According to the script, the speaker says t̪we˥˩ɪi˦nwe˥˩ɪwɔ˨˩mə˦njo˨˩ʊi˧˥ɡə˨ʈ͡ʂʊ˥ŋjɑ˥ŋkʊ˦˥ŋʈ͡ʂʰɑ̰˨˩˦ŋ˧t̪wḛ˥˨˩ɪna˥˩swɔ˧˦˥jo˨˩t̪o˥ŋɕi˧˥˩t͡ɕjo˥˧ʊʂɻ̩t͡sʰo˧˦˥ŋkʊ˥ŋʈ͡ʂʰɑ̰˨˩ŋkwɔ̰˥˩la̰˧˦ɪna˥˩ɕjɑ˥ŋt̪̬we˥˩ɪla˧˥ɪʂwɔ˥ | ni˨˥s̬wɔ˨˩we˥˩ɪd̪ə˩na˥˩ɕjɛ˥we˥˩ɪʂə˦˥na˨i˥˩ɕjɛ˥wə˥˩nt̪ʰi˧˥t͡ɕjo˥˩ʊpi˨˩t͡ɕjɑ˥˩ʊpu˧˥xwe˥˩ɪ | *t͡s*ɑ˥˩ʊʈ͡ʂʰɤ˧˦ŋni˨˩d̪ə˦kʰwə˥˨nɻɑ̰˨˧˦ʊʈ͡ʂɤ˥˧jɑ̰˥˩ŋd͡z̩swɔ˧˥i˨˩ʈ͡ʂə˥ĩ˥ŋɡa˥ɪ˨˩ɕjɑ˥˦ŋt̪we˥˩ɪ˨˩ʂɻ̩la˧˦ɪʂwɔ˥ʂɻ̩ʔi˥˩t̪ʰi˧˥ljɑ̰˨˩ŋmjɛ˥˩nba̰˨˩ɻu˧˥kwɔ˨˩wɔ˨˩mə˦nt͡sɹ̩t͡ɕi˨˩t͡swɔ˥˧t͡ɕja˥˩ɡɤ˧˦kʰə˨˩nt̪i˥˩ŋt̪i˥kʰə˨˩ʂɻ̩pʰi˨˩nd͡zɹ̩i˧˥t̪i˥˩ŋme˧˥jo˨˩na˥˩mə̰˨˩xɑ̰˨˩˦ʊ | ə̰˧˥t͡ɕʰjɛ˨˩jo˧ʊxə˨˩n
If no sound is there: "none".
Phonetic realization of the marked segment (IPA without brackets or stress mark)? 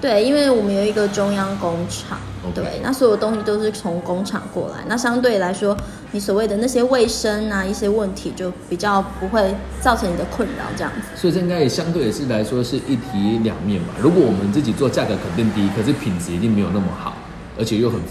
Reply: t͡s